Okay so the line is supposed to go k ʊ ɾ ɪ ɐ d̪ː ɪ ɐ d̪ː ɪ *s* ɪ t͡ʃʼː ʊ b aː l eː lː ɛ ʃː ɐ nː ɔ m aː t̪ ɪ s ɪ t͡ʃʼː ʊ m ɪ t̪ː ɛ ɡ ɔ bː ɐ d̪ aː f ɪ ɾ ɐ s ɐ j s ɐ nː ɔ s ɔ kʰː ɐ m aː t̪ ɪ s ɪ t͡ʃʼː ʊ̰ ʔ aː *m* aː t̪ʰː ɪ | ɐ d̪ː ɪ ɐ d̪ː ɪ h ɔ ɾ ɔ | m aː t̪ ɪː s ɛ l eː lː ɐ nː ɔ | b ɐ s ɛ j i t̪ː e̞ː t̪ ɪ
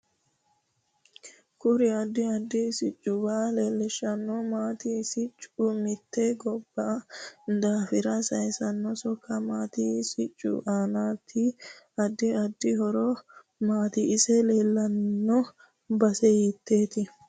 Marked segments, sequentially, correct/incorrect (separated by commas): correct, incorrect